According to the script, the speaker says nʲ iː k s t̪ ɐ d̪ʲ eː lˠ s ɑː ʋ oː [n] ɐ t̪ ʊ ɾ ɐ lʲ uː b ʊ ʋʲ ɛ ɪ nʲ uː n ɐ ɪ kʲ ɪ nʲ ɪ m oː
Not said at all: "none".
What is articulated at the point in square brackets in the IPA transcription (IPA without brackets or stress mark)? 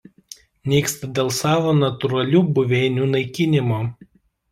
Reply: n